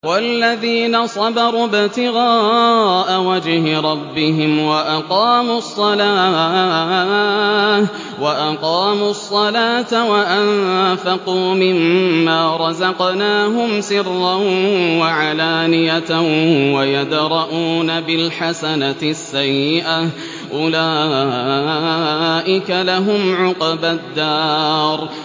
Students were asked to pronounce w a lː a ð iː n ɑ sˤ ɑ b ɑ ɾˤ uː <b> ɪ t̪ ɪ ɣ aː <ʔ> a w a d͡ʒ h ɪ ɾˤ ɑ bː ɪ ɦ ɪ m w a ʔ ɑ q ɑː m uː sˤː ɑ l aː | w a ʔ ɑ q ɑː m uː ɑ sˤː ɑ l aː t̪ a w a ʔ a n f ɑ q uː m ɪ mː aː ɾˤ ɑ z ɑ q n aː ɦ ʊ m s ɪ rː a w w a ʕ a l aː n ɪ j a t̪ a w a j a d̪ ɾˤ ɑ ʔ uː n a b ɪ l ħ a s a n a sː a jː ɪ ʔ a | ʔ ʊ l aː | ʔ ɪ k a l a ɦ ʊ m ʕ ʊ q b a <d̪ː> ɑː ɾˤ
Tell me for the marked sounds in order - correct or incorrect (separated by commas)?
correct, correct, correct